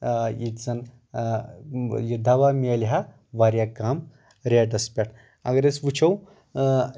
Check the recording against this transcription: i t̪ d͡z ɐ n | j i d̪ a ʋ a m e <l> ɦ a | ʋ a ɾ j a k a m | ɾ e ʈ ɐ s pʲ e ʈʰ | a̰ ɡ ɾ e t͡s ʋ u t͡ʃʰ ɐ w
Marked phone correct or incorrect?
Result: correct